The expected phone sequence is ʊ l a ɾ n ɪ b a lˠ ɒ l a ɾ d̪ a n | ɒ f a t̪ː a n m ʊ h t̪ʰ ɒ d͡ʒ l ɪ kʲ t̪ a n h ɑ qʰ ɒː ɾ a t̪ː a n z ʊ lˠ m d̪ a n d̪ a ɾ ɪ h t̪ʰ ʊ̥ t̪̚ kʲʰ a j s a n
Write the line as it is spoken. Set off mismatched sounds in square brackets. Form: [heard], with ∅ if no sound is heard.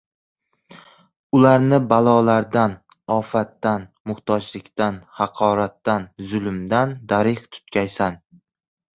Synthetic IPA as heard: ʊ l a ɾ n ɪ b a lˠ ɒ l a ɾ d̪ a n | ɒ f a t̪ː a n m ʊ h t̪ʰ ɒ d͡ʒ l ɪ kʲ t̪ a n h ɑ qʰ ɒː ɾ a t̪ː a n z ʊ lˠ m d̪ a n d̪ a ɾ ɪ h t̪ʰ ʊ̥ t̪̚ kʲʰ a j s a n